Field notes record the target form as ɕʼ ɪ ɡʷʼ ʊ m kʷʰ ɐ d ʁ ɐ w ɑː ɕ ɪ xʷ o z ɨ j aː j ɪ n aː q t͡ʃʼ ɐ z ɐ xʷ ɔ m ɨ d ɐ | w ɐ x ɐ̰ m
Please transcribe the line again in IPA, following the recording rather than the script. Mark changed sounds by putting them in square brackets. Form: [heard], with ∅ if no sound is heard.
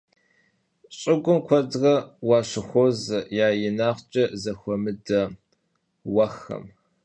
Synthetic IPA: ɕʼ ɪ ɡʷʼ ʊ m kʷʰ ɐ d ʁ ɐ w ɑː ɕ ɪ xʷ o z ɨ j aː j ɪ n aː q t͡ʃʼ ɐ z ɐ xʷ ɔ m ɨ d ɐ | w ɐ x ɐ̰ m